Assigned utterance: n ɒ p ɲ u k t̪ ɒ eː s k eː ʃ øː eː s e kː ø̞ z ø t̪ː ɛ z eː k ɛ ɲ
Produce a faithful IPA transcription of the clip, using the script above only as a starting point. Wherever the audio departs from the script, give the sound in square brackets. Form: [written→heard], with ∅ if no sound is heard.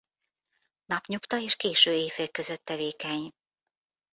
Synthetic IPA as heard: n ɒ p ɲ u k t̪ ɒ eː [s→ʃ] k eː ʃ øː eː [s→f] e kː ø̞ z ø t̪ː ɛ [z→v] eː k ɛ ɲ